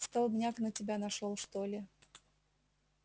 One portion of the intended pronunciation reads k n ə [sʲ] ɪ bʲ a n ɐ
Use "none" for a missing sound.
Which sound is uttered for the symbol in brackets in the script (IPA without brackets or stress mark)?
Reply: tʲ